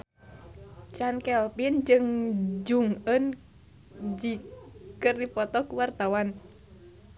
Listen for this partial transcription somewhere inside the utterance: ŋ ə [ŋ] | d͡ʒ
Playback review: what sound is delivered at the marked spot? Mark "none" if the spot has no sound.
n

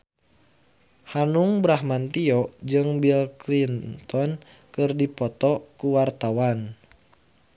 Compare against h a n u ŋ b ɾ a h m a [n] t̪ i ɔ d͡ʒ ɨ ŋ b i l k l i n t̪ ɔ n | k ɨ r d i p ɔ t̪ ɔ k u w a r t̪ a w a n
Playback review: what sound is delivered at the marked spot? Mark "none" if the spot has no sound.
n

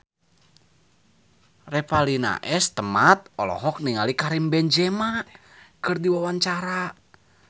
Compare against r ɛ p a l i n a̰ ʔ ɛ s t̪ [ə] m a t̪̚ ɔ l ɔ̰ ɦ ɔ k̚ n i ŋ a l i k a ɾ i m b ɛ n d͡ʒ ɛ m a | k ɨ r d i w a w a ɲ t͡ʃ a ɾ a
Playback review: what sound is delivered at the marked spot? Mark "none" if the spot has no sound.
ə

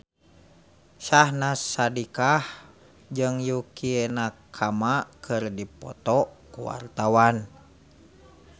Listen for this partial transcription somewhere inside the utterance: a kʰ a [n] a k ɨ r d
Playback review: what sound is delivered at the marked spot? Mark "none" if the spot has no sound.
m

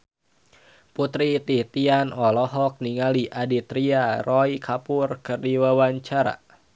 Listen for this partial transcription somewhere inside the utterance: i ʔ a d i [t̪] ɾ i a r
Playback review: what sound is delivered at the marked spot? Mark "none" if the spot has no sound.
t̪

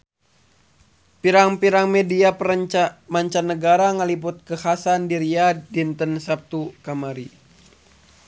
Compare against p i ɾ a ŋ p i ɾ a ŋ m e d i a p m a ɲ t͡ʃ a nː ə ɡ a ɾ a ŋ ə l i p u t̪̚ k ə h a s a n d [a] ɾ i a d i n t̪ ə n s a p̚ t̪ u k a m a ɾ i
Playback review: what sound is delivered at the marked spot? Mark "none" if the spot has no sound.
i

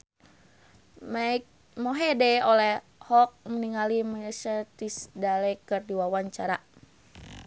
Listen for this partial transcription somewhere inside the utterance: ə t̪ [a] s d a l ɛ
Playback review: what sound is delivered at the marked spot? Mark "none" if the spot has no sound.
i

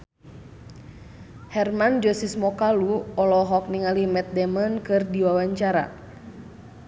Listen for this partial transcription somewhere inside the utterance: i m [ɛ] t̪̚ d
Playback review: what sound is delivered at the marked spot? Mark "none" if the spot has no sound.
ɛ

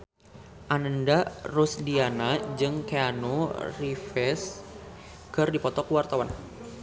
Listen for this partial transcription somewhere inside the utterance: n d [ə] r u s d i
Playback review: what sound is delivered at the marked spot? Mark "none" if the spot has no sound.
a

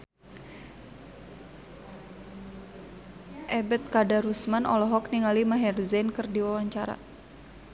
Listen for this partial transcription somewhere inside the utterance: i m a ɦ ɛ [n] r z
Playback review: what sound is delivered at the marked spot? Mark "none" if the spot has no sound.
none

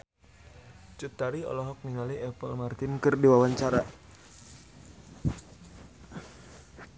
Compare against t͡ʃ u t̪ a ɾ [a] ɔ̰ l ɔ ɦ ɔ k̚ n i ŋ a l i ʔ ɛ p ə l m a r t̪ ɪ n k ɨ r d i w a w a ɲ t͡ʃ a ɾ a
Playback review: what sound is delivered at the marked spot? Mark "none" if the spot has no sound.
i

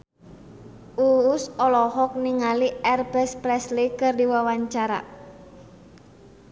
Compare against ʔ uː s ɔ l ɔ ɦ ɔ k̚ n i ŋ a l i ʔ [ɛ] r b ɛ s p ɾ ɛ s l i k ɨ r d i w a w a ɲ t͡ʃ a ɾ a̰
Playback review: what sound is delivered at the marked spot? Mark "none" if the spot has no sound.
ɛ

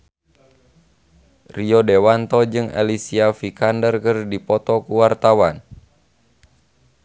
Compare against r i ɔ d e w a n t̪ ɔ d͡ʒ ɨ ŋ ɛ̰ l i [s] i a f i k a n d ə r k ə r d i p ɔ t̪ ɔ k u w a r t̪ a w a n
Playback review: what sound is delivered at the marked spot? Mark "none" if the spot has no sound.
s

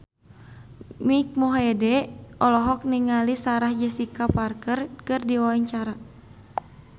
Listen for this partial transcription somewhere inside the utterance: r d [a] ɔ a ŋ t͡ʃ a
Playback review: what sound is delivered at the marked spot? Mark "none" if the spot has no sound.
i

